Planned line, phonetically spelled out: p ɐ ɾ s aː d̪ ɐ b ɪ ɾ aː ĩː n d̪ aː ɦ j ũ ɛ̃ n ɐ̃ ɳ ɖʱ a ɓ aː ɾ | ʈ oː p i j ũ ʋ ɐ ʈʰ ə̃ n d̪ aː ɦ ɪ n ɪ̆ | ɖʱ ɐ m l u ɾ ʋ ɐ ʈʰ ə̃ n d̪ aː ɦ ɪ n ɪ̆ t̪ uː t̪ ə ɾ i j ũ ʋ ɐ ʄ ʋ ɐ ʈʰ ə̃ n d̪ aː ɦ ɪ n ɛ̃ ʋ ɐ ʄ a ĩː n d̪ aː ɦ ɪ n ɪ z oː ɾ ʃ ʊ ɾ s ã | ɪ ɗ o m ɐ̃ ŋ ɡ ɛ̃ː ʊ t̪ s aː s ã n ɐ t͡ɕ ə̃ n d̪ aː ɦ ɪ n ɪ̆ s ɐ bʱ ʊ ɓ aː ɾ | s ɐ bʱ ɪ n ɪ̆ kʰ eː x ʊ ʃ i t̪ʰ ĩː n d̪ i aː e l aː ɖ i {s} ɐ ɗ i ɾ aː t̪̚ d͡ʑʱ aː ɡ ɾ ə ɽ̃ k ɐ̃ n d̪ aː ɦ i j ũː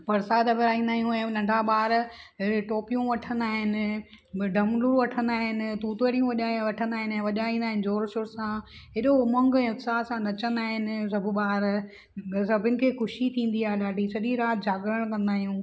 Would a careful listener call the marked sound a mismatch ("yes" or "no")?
no